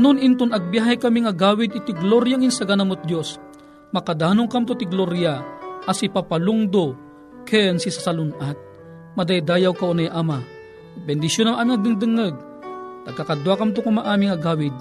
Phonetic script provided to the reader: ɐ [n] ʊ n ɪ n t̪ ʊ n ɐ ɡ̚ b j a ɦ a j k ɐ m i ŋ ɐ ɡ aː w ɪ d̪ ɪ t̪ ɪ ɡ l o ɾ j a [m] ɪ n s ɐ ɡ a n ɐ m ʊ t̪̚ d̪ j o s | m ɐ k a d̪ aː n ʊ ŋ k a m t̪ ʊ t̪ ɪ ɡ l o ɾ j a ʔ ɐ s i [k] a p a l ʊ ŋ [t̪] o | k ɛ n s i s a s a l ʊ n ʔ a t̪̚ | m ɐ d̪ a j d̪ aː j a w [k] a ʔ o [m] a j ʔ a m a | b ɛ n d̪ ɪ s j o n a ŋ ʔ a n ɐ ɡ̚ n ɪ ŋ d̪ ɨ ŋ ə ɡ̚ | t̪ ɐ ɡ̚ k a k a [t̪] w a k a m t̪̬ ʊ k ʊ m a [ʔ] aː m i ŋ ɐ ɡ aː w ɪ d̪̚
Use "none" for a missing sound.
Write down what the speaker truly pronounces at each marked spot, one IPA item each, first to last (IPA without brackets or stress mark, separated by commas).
n, ŋ, p, d̪, k, n, d̪, ʔ